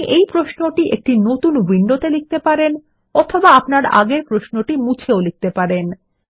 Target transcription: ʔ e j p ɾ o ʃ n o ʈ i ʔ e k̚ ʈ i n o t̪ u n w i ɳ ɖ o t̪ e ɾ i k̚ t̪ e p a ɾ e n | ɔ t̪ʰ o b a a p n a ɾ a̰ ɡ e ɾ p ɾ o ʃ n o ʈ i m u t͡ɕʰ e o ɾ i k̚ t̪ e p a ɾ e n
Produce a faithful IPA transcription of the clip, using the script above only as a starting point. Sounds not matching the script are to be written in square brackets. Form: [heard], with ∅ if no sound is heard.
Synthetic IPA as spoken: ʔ e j p ɾ o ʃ n o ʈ i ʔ e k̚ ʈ i n o t̪ u n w i ɳ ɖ o t̪ e [l] i k̚ t̪ e p a ɾ e n | ɔ t̪ʰ o b a a p n a ɾ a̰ ɡ e ɾ p ɾ o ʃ n o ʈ i m u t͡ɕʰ e o [l] i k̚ t̪ e p a ɾ e n